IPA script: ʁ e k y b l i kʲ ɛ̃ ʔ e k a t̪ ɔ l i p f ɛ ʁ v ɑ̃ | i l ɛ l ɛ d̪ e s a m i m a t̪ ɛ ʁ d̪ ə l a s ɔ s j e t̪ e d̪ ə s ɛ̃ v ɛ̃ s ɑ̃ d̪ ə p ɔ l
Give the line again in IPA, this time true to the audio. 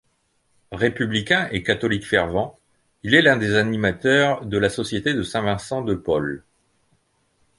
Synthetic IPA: ʁ e p y b l i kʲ ɛ̃ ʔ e k a t̪ ɔ l i k f ɛ ʁ v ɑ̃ | i l ɛ l ɛ̃ d̪ e z a n i m a t̪ œ ʁ d̪ ə l a s ɔ s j e t̪ e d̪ ə s ɛ̃ v ɛ̃ s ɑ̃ d̪ ə p ɔ l

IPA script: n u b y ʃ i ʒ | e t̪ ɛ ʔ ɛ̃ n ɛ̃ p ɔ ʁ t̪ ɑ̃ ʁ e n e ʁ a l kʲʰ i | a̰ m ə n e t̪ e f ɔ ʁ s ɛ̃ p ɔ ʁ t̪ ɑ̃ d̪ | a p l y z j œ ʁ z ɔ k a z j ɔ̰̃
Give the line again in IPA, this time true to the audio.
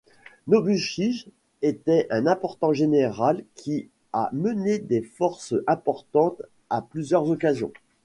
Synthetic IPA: n o b y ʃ i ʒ | e t̪ ɛ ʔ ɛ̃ n ɛ̃ p ɔ ʁ t̪ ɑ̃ ʒ e n e ʁ a l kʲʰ i | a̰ m ə n e d̪ e f ɔ ʁ s ɛ̃ p ɔ ʁ t̪ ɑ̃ t̪ | a p l y z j œ ʁ z ɔ k a z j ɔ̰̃

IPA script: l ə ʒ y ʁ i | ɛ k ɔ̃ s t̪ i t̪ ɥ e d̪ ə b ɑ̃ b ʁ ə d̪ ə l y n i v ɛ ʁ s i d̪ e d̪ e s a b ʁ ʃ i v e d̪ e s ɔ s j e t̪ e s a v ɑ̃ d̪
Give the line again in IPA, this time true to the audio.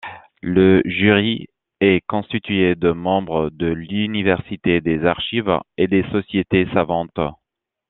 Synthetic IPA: l ə ʒ y ʁ i | ɛ k ɔ̃ s t̪ i t̪ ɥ e d̪ ə m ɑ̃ b ʁ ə d̪ ə l y n i v ɛ ʁ s i t̪ e d̪ e z a ʁ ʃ i v e d̪ e s ɔ s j e t̪ e s a v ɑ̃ t̪

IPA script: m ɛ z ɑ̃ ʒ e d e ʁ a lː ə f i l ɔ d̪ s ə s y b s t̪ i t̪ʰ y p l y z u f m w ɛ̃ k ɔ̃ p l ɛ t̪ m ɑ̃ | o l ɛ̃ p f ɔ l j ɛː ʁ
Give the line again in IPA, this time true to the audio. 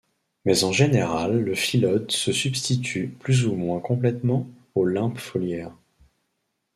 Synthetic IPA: m ɛ z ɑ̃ ʒ e n e ʁ a lː ə f i l ɔ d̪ s ə s y b s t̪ i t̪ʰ y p l y z u m w ɛ̃ k ɔ̃ p l ɛ t̪ m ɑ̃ | o l ɛ̃ p f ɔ l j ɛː ʁ

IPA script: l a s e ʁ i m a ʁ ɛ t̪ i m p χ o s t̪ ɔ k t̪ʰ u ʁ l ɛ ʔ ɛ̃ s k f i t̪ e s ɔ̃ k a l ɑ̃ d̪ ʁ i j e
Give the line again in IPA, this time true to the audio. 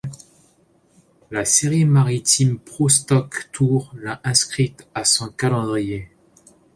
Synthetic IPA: l a s e ʁ i m a ʁ i t̪ i m p χ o s t̪ ɔ k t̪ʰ u ʁ l a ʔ ɛ̃ s k χ i t̪ a s ɔ̃ k a l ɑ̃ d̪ ʁ i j e

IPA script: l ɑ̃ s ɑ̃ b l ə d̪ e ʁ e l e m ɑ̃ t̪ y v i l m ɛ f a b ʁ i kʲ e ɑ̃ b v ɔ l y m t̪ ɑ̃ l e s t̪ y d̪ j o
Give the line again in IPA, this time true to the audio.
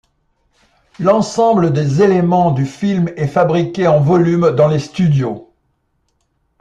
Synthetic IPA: l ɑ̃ s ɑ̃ b l ə d̪ e z e l e m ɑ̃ d̪ y f i l m ɛ f a b ʁ i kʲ e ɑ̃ v ɔ l y m d̪ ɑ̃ l e s t̪ y d̪ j o

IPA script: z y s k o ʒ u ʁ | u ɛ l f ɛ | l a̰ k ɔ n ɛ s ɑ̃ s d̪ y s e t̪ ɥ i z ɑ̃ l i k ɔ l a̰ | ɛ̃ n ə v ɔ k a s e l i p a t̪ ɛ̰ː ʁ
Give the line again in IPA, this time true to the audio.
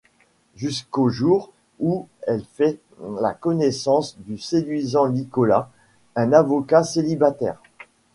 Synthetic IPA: ʒ y s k o ʒ u ʁ | u ɛ l f ɛ | l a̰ k ɔ n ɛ s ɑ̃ s d̪ y s e d̪ ɥ i z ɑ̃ l i k ɔ l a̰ | ɛ̃ n a v ɔ k a s e l i b a t̪ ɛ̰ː ʁ

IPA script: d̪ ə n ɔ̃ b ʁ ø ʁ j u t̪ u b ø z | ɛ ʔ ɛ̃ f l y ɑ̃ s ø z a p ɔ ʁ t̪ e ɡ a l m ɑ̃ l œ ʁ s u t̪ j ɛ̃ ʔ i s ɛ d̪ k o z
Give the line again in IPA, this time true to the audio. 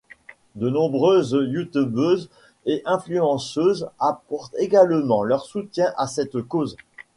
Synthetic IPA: d̪ ə n ɔ̃ b ʁ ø z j u t̪ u b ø z | e ʔ ɛ̃ f l y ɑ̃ s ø z a p ɔ ʁ t̪ e ɡ a l m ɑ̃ l œ ʁ s u t̪ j ɛ̃ ʔ a s ɛ t̪ k o z

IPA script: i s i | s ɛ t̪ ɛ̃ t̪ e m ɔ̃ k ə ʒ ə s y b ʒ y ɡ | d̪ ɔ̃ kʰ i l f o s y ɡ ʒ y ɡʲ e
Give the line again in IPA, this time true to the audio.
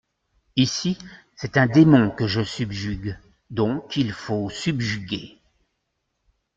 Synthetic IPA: i s i | s ɛ t̪ ɛ̃ d̪ e m ɔ̃ k ə ʒ ə s y b ʒ y ɡ | d̪ ɔ̃ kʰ i l f o s y b ʒ y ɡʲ e

